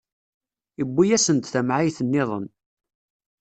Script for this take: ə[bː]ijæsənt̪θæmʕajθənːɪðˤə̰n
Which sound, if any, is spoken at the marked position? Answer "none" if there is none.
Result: bː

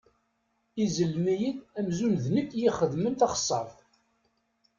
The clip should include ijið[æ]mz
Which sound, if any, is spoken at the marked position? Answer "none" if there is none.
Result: æ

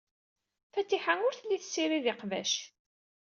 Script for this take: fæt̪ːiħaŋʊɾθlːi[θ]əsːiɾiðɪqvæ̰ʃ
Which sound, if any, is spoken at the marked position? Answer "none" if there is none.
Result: θ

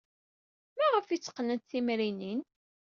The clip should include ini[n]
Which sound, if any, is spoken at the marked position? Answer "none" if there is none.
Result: n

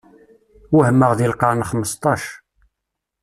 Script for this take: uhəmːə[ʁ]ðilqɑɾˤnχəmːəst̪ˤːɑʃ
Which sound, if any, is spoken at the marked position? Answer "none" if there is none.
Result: ʁ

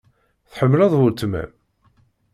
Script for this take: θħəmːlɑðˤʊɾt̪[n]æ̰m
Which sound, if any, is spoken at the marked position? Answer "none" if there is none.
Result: m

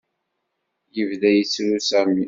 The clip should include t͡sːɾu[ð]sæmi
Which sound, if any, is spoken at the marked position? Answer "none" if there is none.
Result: none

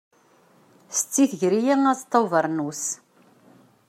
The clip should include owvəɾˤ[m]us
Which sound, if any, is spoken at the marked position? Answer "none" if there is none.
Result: n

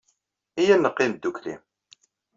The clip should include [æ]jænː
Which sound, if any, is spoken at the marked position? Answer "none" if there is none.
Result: i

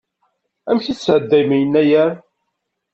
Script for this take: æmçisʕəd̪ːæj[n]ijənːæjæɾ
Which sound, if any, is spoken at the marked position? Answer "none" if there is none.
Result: m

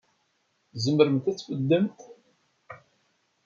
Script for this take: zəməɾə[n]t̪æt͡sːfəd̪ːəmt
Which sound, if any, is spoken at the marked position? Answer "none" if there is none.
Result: m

